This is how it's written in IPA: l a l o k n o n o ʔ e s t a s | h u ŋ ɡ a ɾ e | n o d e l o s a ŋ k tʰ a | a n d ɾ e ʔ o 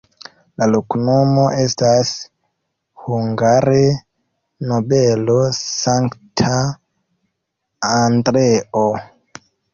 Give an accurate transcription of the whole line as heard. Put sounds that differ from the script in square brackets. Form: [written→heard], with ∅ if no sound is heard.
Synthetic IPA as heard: l a l o k n o [n→m] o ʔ e s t a s | h u ŋ ɡ a ɾ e | n o [d→b] e l o s a ŋ k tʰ a | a n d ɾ e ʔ o